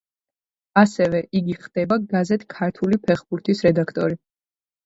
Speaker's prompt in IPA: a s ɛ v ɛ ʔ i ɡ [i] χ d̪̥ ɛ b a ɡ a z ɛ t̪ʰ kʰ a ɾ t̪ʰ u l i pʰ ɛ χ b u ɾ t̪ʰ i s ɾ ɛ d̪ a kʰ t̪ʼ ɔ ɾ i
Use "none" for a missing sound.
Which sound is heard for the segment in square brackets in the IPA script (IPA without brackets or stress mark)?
i